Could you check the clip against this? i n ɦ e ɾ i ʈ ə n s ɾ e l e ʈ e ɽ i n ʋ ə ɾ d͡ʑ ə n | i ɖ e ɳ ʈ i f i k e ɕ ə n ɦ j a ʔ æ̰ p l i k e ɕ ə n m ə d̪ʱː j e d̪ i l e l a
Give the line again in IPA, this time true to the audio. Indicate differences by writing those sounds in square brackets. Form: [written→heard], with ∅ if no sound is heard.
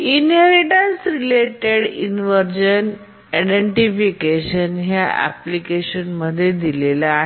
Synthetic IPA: i n ɦ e ɾ i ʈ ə n s ɾ [e→i] l e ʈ e ɽ i n ʋ ə ɾ d͡ʑ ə n | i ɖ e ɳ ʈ i f i k e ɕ ə n ɦ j a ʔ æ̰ p l i k e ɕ ə n m ə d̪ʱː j e d̪ i l e l a